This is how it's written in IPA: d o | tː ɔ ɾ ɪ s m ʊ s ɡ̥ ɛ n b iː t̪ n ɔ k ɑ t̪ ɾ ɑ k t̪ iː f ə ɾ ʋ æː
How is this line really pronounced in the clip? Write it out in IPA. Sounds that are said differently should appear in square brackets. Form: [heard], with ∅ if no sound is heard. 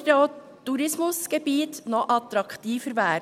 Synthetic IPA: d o | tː [u] ɾ ɪ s m ʊ s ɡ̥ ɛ [∅] b iː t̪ n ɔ [ʔ] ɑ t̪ ɾ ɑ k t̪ iː f ə ɾ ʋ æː